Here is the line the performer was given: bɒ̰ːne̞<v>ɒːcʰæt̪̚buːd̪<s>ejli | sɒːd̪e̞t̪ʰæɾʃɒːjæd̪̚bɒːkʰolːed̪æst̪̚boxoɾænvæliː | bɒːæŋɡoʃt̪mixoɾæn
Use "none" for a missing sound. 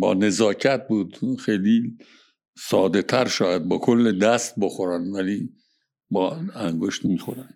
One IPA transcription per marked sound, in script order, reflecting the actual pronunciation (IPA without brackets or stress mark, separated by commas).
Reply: z, x